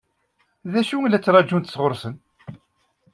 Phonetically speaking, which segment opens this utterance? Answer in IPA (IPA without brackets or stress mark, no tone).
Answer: ð